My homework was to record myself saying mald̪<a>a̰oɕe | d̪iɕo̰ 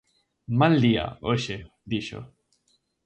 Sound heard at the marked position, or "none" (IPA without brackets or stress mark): i